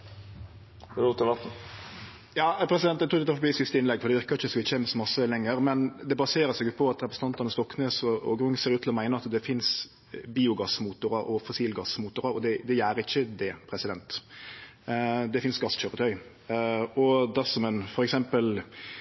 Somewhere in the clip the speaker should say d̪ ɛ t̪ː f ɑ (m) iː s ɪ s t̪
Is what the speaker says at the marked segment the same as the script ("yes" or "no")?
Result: no